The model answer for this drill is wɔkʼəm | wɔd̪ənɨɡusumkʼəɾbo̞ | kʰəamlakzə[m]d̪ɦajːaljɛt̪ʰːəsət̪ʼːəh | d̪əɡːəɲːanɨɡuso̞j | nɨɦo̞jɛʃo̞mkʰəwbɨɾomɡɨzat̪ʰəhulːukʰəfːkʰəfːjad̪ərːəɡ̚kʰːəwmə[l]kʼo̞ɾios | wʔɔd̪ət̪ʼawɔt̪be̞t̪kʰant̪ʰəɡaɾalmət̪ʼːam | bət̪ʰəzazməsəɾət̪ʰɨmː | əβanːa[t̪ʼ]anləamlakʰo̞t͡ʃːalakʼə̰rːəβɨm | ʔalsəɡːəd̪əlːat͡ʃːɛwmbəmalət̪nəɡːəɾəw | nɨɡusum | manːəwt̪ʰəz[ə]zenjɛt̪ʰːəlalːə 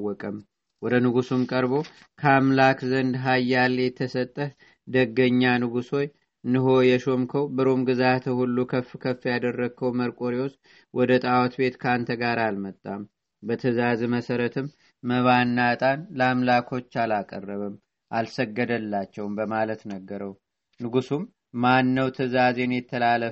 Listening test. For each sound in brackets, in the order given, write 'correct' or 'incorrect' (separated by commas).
incorrect, incorrect, correct, incorrect